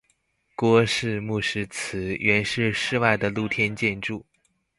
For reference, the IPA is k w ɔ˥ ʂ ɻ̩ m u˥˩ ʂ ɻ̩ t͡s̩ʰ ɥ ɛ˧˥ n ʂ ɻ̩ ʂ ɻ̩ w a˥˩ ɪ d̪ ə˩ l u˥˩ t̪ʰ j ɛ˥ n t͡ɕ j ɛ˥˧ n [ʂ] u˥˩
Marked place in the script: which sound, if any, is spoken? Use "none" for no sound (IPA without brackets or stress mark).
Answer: ʈ͡ʂ